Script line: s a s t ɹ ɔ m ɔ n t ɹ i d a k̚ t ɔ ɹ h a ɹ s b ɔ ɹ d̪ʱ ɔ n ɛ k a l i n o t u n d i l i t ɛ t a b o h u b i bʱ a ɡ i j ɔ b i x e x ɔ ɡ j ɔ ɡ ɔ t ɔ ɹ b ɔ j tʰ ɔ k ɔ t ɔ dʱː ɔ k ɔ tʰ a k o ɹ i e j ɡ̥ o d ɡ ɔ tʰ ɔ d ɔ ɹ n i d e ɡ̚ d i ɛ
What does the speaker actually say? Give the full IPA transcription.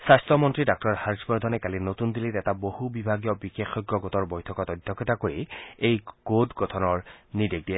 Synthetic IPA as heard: s a s t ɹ ɔ m ɔ n t ɹ i d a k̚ t ɔ ɹ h a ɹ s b ɔ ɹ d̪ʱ ɔ n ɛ k a l i n o t u n d i l i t ɛ t a b o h u b i bʱ a ɡ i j ɔ b i x e x ɔ ɡ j ɔ ɡ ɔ t ɔ ɹ b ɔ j tʰ ɔ k ɔ t ɔ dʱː ɔ k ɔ t a k o ɹ i e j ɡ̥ o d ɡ ɔ tʰ ɔ n ɔ ɹ n i d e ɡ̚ d i ɛ